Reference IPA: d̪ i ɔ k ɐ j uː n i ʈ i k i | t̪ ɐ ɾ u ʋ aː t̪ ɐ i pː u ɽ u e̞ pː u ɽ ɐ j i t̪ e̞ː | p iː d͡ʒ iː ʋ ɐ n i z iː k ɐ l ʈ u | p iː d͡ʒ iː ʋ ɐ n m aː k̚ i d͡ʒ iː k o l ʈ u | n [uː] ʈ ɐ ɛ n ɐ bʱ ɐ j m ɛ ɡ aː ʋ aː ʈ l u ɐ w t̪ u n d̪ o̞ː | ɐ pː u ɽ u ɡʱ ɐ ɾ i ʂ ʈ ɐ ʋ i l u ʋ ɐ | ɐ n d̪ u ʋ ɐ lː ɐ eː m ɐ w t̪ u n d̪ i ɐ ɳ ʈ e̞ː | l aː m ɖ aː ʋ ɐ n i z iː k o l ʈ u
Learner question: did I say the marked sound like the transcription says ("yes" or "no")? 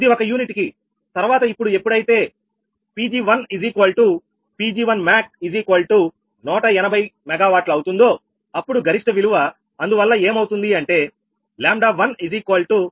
no